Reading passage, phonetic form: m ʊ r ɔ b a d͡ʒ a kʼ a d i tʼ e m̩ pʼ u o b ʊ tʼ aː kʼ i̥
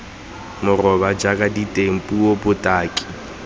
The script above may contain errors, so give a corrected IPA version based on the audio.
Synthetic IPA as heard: m ʊ r ɔ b a d͡ʒ a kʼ a d i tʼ e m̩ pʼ u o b ʊ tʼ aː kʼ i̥